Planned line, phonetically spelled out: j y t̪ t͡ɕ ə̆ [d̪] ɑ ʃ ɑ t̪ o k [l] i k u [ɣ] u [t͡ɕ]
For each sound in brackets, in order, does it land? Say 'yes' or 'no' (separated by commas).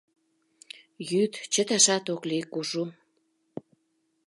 no, yes, no, no